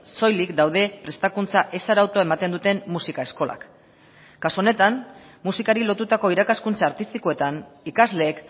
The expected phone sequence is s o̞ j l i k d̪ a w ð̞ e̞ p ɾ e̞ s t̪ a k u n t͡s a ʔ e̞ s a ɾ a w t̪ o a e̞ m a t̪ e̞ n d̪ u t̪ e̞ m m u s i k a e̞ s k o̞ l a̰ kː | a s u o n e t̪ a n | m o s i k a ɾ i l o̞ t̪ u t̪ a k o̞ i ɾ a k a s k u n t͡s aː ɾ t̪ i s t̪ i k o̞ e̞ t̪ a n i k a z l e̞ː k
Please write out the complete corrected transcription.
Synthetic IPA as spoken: s o̞ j l i k d̪ a w ð̞ e̞ p ɾ e̞ s t̪ a k u n t͡s a ʔ e̞ s a ɾ a w t̪ o a e̞ m a t̪ e̞ n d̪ u t̪ e̞ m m u s i k a e̞ s k o̞ l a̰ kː | a s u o n e t̪ a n | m u s i k a ɾ i l o̞ t̪ u t̪ a k o̞ i ɾ a k a s k u n t͡s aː ɾ t̪ i s t̪ i k o̞ e̞ t̪ a n i k a z l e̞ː k